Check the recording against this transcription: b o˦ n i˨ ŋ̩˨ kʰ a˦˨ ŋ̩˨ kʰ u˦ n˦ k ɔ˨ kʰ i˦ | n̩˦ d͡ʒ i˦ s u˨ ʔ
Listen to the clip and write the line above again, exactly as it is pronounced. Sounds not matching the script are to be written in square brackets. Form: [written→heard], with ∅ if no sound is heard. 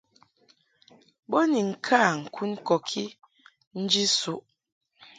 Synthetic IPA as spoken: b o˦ n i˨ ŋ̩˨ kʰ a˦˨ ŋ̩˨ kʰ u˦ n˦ k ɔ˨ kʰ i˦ | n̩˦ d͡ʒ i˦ s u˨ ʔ